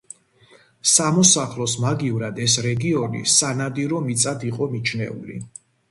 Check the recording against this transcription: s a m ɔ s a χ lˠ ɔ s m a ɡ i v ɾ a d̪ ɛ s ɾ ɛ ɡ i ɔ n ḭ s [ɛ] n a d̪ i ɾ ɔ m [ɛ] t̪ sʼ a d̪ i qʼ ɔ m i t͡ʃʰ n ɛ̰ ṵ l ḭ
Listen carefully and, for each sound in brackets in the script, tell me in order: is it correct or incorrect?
incorrect, incorrect

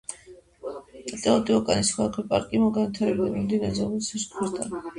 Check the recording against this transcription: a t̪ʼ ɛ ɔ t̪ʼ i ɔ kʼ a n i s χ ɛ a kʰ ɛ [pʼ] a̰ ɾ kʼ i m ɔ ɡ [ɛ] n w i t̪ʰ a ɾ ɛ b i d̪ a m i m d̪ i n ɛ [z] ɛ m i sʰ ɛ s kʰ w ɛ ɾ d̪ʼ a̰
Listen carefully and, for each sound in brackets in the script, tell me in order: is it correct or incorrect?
correct, incorrect, correct

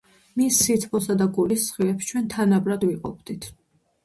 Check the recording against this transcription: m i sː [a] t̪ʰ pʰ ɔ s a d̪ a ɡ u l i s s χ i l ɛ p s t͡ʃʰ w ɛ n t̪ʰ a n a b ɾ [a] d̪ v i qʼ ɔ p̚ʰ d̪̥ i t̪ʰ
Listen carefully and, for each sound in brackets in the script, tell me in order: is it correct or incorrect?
incorrect, correct

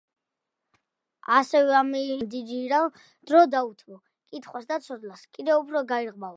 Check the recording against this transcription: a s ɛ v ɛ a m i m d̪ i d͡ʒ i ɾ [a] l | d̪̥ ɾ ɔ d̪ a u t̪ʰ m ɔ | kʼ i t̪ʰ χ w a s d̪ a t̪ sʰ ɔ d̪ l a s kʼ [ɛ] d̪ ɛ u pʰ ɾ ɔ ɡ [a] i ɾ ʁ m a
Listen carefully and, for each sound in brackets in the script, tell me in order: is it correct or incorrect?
correct, incorrect, correct

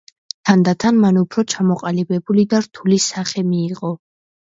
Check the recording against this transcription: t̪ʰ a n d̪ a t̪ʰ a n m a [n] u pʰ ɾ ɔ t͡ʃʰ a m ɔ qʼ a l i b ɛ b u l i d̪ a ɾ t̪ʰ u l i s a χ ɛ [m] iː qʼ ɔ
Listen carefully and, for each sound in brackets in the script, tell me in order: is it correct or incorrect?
correct, correct

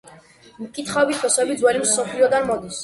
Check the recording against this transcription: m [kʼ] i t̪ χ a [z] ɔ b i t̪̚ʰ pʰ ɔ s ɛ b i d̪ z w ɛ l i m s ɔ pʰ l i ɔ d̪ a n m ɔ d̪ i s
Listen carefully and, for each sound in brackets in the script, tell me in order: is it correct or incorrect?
correct, incorrect

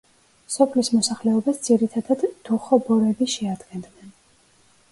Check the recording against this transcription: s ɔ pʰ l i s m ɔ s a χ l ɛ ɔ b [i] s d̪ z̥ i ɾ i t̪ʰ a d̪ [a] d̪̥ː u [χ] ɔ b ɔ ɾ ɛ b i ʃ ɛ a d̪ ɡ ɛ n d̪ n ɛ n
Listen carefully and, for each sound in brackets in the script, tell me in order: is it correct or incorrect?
incorrect, correct, correct

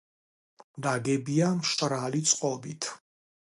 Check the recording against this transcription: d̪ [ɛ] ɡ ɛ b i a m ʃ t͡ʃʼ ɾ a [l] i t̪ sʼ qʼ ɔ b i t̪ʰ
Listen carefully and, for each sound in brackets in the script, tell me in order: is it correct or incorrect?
incorrect, correct

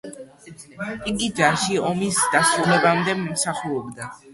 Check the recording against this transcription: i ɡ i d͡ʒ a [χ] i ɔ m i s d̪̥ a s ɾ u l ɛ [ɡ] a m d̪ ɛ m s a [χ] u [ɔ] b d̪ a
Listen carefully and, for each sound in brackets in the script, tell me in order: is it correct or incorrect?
incorrect, incorrect, correct, correct

